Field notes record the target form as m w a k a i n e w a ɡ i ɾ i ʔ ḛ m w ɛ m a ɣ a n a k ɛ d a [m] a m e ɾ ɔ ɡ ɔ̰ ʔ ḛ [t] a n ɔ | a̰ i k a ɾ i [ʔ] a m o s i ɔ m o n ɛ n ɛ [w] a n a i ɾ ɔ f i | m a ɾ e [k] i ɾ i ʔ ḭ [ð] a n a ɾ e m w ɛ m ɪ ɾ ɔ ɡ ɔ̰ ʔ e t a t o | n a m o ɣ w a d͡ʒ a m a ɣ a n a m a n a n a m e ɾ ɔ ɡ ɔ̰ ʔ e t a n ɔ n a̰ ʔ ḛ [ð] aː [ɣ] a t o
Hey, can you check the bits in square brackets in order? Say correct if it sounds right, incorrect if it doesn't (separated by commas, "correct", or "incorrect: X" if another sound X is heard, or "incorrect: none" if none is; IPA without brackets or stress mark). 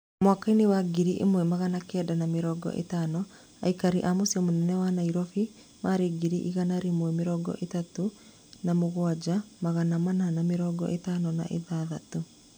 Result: incorrect: n, correct, correct, correct, incorrect: ɡ, incorrect: ɣ, correct, incorrect: ð